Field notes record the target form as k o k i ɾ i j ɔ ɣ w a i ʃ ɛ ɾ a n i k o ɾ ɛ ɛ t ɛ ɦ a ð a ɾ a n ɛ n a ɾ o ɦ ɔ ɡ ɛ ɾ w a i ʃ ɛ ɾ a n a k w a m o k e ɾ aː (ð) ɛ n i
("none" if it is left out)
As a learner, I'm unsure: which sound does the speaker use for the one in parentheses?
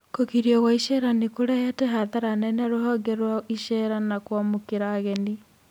ɣ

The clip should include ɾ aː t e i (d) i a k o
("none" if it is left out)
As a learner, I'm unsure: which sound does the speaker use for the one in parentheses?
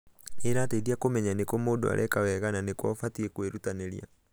d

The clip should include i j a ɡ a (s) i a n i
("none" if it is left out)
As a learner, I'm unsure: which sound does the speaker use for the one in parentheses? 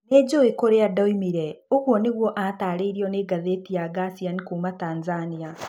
s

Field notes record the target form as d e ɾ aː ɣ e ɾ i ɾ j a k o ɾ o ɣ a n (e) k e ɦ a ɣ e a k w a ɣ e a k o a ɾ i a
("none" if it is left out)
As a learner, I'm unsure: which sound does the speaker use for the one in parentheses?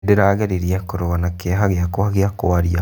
a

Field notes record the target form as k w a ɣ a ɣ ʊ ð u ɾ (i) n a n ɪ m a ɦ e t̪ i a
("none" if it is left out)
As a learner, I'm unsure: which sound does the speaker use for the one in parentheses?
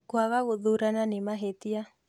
a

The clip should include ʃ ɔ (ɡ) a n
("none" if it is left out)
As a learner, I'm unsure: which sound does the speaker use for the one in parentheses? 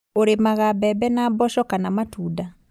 k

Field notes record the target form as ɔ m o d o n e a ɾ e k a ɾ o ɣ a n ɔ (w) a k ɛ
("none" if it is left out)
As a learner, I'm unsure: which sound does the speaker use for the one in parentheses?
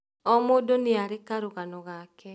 ɣ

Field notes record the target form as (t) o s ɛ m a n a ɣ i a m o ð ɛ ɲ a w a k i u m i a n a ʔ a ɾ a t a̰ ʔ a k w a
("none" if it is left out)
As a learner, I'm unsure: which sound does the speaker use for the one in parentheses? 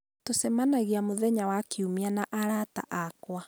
t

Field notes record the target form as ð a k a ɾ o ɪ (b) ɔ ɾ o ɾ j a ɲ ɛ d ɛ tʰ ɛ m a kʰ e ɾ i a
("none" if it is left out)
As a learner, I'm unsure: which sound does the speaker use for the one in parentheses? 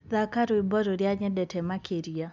b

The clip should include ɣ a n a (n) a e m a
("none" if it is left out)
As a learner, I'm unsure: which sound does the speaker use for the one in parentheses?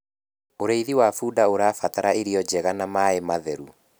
m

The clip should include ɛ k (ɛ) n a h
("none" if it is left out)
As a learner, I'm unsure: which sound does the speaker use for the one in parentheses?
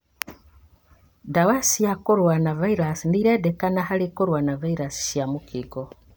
a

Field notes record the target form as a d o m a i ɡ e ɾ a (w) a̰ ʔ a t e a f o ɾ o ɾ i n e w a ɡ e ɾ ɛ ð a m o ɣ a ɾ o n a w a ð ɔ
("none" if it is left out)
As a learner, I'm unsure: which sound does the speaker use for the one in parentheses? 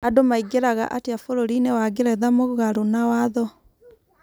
ɣ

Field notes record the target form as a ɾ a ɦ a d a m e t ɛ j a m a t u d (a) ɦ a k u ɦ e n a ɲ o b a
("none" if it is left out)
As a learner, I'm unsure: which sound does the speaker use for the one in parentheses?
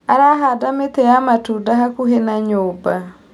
a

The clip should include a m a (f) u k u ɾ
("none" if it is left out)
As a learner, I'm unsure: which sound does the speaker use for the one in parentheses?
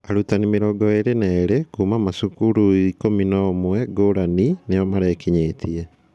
s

